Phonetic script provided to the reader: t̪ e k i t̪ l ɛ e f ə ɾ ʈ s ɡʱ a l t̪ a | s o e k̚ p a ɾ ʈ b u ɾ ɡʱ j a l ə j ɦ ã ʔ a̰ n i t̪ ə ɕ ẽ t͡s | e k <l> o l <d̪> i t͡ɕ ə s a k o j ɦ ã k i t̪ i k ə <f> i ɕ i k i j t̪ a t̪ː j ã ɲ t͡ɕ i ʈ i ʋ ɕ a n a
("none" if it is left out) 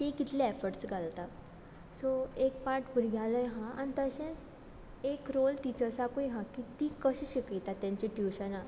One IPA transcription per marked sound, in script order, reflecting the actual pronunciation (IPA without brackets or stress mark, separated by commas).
ɾ, t̪, ɕ